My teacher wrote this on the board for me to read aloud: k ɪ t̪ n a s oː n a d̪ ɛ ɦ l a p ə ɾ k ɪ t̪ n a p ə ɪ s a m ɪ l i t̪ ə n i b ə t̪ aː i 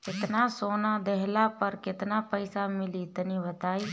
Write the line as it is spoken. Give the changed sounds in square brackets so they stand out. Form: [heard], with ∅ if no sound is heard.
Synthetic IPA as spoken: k ɪ t̪ n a s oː n a d̪ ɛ ɦ l a p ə ɾ k ɪ t̪ n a p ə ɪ s a m ɪ l i t̪ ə n i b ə t̪ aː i

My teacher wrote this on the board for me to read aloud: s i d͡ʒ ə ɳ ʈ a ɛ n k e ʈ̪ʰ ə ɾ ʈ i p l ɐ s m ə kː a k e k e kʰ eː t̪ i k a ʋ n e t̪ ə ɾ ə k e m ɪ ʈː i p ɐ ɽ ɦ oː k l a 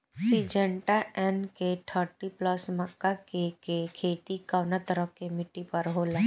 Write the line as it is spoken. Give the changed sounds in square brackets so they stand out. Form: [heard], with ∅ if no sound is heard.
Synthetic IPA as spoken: s i d͡ʒ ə ɳ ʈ a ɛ n k e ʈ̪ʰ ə ɾ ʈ i p l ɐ s m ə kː a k e k e kʰ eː t̪ i k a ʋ n [a] t̪ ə ɾ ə k e m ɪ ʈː i p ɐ [ɾ] ɦ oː [∅] l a

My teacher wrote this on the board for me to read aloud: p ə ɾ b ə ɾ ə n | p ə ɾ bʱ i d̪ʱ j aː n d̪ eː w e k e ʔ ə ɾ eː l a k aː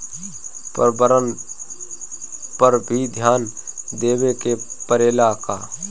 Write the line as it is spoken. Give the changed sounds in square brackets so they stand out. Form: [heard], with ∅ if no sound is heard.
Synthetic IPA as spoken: p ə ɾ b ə ɾ ə n | p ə ɾ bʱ i d̪ʱ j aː n d̪ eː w e k e [p] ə ɾ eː l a k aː

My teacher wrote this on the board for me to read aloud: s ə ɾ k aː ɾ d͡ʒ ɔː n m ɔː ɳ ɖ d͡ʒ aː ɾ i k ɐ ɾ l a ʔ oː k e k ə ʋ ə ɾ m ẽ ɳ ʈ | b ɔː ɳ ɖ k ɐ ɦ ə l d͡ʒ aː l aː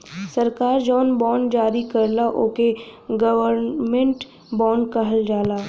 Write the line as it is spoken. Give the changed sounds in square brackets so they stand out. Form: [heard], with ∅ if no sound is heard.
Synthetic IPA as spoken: s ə ɾ k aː ɾ d͡ʒ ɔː n [b] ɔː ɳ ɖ d͡ʒ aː ɾ i k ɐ ɾ l a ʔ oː k e [ɡ] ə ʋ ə ɾ m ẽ ɳ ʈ | b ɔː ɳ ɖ k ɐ ɦ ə l d͡ʒ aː l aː

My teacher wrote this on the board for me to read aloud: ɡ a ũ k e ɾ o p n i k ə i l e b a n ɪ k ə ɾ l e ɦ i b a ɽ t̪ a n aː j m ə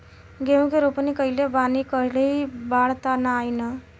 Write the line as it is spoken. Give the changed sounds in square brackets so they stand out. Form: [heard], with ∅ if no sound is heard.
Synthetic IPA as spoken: ɡ [e] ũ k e ɾ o p n i k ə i l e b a n [i] k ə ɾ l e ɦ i b a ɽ t̪ a n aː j [n] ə

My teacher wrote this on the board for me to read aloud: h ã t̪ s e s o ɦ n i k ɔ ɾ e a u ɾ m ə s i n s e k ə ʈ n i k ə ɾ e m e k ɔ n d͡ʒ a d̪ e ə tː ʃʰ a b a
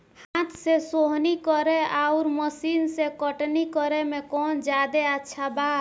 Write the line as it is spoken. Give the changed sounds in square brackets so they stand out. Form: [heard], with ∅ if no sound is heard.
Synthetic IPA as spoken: h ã t̪ s e s o ɦ n i k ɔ ɾ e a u ɾ m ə s i n s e k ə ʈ n i k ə ɾ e m e k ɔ n d͡ʒ a d̪ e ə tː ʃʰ a b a

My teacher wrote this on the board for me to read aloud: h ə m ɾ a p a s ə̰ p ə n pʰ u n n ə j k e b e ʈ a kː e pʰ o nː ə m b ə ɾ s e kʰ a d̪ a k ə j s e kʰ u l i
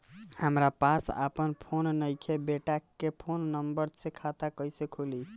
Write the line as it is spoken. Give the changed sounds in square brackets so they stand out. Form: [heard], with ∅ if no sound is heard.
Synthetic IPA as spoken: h ə m ɾ a p a s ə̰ p ə n pʰ [o] n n ə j [kʰ] e b e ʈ a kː e pʰ o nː ə m b ə ɾ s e kʰ a [t̪] a k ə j s e kʰ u l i

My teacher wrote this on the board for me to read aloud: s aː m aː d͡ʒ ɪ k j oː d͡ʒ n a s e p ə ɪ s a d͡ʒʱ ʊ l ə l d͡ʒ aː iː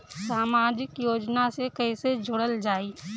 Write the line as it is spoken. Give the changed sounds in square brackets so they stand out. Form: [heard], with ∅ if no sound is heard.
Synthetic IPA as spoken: s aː m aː d͡ʒ ɪ k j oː d͡ʒ n a s e [k] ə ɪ s [e] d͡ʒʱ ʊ [ɽ] ə l d͡ʒ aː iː

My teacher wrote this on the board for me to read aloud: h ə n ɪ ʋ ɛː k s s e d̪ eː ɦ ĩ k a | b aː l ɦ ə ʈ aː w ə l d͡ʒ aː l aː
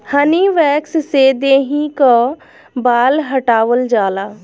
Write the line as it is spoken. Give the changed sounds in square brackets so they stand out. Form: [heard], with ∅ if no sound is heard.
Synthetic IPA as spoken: h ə n [i] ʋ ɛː k s s e d̪ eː ɦ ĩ k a | b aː l ɦ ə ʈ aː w ə l d͡ʒ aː l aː

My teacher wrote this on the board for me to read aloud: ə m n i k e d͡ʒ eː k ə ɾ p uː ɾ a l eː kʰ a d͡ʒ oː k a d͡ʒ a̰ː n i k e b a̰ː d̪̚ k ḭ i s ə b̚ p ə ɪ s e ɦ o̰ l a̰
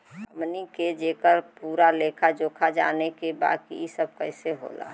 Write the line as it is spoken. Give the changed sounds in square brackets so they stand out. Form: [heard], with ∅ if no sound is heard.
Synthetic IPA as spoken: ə m n i k e d͡ʒ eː k ə ɾ p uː ɾ a l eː kʰ a d͡ʒ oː [kʰ] a d͡ʒ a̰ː n [e] k e b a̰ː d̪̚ k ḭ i s ə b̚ [k] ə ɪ s e ɦ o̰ l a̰

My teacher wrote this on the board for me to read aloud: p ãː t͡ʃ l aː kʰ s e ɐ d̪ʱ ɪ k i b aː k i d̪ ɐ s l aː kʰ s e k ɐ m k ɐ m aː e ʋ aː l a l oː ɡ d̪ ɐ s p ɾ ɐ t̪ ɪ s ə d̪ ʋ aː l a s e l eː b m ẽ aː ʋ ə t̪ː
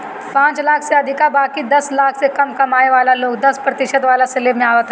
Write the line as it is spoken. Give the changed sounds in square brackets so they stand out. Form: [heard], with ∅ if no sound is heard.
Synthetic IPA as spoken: p ãː t͡ʃ l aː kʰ s e ɐ d̪ʱ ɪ k [a] b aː k i d̪ ɐ s l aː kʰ s e k ɐ m k ɐ m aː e ʋ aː l a l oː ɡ d̪ ɐ s p ɾ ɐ t̪ ɪ [ʃ] ə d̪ ʋ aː l a s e l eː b m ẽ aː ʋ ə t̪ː

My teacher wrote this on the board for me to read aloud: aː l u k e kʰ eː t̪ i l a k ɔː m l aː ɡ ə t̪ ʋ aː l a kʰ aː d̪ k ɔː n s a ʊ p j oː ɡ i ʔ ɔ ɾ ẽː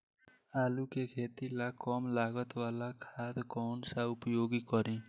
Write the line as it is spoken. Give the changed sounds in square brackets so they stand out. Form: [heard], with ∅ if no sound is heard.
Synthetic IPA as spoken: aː l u k e kʰ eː t̪ i l a k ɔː m l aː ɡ ə t̪ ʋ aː l a kʰ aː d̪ k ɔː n s a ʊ p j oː ɡ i [k] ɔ ɾ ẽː

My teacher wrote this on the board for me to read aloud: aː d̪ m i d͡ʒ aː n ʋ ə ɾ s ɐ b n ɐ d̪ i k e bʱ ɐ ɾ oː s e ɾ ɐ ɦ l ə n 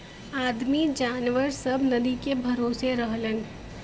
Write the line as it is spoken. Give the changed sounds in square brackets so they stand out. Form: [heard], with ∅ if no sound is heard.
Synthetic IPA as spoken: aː d̪ m i d͡ʒ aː n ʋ ə ɾ s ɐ b n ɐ d̪ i k e bʱ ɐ ɾ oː s e ɾ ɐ ɦ l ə n

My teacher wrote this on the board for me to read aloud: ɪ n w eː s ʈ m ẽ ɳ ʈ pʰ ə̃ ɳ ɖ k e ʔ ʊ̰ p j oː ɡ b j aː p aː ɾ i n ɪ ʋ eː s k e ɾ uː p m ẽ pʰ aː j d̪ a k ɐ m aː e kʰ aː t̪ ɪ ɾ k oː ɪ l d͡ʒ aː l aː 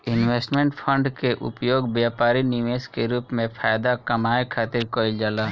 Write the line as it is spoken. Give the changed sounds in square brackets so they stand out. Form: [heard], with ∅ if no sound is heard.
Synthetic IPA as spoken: ɪ n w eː s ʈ m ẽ ɳ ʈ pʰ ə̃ ɳ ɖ k e ʔ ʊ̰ p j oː ɡ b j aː p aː ɾ i n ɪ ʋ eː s k e ɾ uː p m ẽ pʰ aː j d̪ a k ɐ m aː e kʰ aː t̪ ɪ ɾ k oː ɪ l d͡ʒ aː l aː

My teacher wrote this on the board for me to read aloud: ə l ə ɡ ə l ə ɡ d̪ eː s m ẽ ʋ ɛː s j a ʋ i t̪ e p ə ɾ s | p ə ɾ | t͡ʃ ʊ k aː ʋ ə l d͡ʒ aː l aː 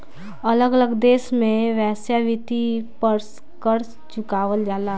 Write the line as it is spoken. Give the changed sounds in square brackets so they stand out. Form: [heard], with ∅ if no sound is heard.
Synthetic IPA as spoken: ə l ə ɡ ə l ə ɡ d̪ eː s m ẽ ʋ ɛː s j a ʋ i t̪ [i] p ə ɾ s | [k] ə ɾ | t͡ʃ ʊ k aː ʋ ə l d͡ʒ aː l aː

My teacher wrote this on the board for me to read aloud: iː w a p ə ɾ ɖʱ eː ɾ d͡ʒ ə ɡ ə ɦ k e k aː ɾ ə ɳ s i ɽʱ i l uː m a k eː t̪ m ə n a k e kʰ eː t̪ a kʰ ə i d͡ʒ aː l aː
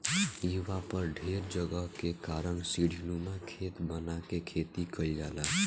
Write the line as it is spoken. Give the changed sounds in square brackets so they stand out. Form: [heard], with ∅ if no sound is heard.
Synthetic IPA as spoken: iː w a p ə ɾ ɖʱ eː ɾ d͡ʒ ə ɡ ə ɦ k e k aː ɾ ə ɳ s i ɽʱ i l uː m a [kʰ] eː t̪ [b] ə n a k e kʰ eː t̪ [i] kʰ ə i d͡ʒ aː l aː

